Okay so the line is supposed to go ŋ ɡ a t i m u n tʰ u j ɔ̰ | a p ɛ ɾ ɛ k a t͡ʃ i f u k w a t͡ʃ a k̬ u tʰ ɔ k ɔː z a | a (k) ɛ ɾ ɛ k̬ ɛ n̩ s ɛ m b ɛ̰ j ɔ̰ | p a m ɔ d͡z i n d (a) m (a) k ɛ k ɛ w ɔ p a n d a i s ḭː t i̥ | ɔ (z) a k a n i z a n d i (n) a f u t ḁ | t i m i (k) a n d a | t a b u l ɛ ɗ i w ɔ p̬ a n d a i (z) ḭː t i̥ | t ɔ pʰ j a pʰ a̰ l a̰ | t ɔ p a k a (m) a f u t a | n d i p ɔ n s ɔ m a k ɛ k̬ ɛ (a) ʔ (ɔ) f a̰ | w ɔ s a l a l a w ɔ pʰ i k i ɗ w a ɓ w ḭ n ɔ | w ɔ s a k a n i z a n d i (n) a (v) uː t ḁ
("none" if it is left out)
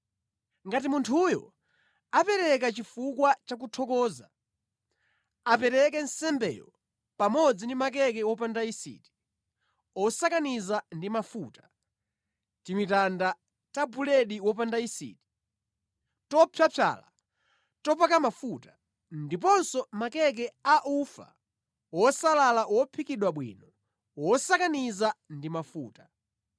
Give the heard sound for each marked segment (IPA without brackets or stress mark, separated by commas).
p, i, a, s, m, t, s, m, a, u, m, f